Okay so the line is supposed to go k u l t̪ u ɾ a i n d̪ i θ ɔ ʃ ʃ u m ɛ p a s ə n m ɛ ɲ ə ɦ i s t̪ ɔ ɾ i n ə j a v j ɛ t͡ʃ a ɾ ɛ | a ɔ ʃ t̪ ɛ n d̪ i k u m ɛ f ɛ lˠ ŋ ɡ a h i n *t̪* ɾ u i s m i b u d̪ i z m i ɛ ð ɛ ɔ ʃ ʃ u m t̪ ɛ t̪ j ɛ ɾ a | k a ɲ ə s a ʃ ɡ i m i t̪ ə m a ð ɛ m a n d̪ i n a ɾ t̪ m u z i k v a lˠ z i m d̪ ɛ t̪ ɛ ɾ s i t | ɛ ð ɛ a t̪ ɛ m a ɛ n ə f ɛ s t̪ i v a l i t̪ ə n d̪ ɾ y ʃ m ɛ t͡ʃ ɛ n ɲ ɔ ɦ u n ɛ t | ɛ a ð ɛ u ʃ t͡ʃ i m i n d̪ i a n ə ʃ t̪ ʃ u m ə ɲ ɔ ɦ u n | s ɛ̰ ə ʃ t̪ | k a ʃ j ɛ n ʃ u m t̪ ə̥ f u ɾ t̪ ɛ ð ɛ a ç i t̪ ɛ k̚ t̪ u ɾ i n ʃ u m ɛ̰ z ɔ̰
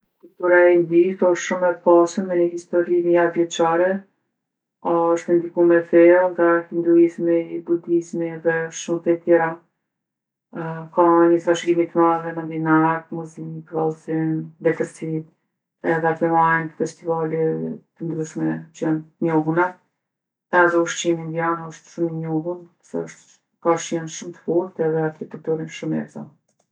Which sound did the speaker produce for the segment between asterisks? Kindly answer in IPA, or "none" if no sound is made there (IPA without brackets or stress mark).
d̪